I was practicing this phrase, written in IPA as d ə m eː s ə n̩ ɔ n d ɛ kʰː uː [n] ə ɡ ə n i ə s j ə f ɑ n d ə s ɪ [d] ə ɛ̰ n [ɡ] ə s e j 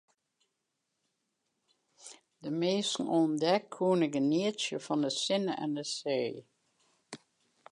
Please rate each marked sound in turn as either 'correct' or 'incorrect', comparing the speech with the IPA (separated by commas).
correct, incorrect, incorrect